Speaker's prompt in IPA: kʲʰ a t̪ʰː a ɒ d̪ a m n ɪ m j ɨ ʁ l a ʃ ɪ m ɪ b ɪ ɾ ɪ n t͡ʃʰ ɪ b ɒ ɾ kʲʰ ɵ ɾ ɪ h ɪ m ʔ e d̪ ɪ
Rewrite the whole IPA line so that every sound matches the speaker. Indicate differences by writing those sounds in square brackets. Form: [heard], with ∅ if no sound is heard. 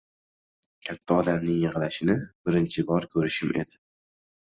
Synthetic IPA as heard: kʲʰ a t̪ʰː a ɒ d̪ a m n ɪ [ŋ] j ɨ ʁ l a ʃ ɪ [n] ɪ b ɪ ɾ ɪ n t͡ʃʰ ɪ b ɒ ɾ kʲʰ ɵ ɾ ɪ [ʃ] ɪ m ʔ e d̪ ɪ